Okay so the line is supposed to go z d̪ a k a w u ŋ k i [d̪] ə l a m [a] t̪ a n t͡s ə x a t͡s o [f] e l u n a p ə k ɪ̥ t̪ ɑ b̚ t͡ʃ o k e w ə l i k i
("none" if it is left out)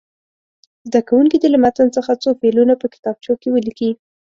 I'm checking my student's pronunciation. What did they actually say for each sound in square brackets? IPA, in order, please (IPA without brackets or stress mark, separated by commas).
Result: d̪, a, f